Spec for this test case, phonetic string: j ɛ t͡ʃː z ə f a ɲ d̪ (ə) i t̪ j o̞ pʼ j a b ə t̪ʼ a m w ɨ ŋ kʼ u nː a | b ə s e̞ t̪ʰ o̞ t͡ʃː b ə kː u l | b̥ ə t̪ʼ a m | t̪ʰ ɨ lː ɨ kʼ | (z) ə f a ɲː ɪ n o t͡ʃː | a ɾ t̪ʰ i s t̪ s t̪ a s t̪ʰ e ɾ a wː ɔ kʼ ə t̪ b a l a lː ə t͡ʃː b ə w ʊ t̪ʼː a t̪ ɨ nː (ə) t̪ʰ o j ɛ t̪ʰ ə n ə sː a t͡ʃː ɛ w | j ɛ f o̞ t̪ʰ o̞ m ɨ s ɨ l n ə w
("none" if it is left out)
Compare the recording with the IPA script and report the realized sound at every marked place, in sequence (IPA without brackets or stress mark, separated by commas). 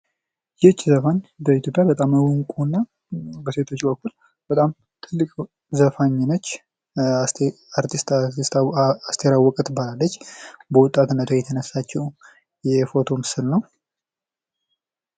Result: ə, z, ə